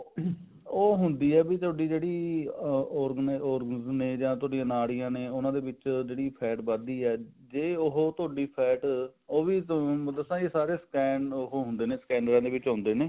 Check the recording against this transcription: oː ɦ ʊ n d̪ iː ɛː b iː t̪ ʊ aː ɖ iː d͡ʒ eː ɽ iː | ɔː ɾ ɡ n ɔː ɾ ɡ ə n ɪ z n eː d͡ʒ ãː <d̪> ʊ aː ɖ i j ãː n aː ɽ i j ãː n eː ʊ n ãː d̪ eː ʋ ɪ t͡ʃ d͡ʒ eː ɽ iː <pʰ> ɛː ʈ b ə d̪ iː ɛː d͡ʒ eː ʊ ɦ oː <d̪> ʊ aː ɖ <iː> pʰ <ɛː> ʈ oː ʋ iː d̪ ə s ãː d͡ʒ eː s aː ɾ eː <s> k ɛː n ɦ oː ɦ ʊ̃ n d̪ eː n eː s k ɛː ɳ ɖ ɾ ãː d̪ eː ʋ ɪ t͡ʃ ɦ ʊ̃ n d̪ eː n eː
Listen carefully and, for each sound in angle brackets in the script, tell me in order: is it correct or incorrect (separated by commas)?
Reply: incorrect, correct, incorrect, correct, correct, correct